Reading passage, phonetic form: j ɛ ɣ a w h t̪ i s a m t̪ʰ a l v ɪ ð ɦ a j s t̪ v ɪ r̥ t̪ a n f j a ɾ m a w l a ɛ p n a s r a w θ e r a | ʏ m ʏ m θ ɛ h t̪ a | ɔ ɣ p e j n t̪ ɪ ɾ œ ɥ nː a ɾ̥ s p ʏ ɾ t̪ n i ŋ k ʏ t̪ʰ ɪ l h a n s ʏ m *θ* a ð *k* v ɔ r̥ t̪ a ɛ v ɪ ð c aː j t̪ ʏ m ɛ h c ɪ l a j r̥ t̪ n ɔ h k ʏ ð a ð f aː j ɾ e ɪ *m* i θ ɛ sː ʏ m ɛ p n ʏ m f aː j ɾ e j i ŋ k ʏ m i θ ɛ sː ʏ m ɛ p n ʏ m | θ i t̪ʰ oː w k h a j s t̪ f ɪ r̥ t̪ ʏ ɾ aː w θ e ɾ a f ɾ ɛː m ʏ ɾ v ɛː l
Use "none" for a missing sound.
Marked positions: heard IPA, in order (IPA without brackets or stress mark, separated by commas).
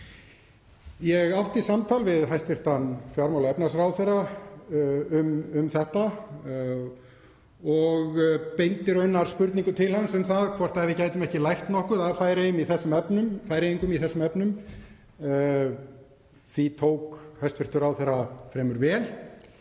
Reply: θ, kʰ, m